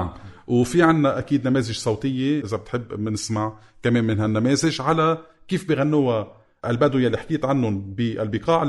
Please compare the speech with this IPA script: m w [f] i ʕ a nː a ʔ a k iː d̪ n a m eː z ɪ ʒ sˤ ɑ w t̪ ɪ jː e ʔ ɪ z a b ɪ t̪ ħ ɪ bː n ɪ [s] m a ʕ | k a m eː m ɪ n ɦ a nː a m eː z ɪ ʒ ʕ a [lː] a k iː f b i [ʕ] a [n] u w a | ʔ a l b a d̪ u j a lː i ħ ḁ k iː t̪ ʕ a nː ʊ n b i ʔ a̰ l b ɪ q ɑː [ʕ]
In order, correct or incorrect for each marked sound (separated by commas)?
correct, correct, incorrect, incorrect, incorrect, correct